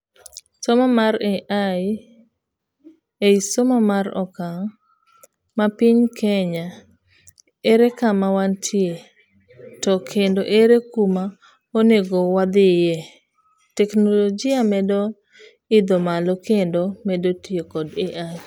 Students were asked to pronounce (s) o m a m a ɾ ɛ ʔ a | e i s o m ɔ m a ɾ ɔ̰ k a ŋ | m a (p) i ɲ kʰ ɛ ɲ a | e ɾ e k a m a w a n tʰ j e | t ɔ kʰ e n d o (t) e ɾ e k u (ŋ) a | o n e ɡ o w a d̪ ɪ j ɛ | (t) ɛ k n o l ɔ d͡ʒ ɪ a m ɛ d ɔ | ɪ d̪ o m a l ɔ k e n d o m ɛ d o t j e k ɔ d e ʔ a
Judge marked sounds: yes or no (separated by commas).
yes, yes, no, no, yes